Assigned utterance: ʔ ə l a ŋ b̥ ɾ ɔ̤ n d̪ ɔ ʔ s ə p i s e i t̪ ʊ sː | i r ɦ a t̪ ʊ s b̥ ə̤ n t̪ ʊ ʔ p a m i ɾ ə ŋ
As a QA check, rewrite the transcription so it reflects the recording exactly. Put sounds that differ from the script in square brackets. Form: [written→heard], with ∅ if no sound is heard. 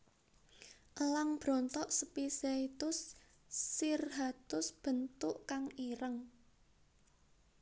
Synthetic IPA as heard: ʔ ə l a ŋ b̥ ɾ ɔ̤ n [d̪→t̪] ɔ ʔ s ə p i s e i t̪ ʊ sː | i r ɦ a t̪ ʊ s b̥ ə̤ n t̪ ʊ ʔ [p→k] a [m→ŋ] i ɾ ə ŋ